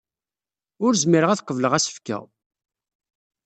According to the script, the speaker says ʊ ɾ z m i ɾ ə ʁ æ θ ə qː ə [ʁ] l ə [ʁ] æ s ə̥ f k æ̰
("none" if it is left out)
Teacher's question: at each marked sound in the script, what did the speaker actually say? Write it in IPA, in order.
v, ʁ

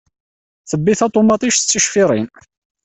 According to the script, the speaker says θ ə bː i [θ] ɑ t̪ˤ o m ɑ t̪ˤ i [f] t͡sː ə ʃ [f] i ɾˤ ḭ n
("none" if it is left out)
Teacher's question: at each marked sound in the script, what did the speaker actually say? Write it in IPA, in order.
θ, ʃ, f

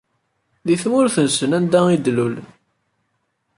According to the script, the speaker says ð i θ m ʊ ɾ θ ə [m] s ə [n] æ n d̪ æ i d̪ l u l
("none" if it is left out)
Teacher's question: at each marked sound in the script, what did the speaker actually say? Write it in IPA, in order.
n, n

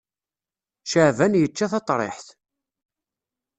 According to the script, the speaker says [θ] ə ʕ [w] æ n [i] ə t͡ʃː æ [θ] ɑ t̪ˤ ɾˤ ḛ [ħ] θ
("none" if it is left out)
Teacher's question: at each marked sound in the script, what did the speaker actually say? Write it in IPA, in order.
ʃ, v, j, θ, ħ

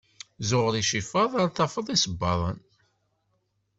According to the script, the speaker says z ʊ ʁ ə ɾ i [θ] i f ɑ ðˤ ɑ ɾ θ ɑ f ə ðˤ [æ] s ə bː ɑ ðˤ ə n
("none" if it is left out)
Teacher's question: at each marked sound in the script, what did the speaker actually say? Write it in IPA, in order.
ʃ, i

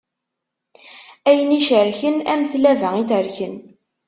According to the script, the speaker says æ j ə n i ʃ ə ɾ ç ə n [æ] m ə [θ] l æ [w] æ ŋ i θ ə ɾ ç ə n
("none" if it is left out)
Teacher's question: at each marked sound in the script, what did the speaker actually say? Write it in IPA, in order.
æ, θ, v

